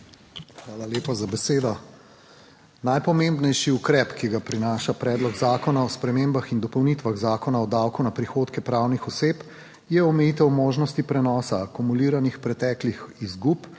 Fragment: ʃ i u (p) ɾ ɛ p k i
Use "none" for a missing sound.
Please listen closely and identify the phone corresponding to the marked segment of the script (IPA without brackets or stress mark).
k